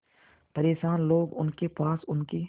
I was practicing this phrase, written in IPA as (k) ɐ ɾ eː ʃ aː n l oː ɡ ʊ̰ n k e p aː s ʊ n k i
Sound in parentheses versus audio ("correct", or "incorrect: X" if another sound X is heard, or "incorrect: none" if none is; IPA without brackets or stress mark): incorrect: p